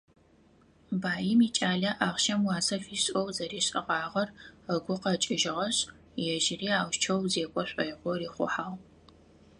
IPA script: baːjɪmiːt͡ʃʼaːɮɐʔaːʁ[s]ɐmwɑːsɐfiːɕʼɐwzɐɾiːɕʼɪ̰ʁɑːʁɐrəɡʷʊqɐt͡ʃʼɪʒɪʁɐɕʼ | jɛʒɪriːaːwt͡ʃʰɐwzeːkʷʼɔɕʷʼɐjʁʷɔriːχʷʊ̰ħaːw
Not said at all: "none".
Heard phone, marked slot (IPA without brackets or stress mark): ʃ